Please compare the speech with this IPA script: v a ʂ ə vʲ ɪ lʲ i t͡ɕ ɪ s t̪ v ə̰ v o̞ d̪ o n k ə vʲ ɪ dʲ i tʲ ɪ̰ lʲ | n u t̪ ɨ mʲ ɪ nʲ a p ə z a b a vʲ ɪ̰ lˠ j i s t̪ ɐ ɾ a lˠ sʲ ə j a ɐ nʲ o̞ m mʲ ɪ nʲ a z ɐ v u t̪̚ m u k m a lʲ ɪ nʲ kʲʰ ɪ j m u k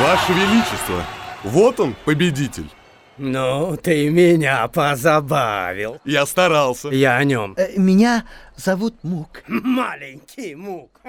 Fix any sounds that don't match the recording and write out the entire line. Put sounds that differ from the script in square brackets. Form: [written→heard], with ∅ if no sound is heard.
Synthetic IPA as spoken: v a ʂ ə vʲ ɪ lʲ i t͡ɕ ɪ s t̪ v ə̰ v o̞ [d̪→t̪] o n [k→p] ə [vʲ→bʲ] ɪ dʲ i tʲ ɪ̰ lʲ | n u t̪ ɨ mʲ ɪ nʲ a p ə z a b a vʲ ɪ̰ lˠ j [i→a] s t̪ ɐ ɾ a lˠ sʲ ə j a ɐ nʲ o̞ m mʲ ɪ nʲ a z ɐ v u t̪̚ m u k m a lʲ ɪ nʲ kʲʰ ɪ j m u k